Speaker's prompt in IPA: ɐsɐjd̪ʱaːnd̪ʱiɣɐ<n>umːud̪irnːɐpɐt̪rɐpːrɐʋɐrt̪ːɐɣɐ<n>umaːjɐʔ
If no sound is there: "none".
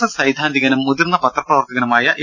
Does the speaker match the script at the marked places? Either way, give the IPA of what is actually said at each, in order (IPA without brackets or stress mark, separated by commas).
n, n